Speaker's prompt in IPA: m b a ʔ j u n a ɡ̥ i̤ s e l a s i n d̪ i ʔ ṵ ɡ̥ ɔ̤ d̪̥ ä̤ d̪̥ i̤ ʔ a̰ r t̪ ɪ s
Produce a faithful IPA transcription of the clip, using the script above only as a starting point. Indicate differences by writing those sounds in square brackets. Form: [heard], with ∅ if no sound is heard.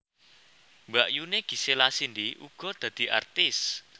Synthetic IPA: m b a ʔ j u n [e] ɡ̥ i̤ s e l a s i n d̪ i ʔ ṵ ɡ̥ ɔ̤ d̪̥ ä̤ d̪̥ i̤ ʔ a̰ r t̪ ɪ s